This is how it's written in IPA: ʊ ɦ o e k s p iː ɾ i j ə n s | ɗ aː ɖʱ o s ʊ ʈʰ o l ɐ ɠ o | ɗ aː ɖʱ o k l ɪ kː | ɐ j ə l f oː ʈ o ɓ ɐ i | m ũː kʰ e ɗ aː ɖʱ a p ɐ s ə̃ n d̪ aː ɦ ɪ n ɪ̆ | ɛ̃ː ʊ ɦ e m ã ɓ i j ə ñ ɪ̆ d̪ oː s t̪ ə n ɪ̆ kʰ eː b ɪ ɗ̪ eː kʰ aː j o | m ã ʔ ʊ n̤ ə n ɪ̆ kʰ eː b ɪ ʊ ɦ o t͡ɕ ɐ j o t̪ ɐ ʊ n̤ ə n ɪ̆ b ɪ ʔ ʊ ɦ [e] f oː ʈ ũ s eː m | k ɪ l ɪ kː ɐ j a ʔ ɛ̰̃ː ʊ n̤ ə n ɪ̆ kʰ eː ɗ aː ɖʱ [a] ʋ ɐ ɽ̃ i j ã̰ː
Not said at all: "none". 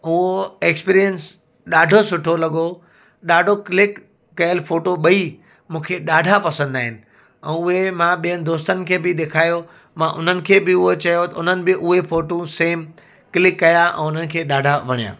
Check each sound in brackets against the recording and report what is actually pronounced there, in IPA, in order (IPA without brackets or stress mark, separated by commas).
e, a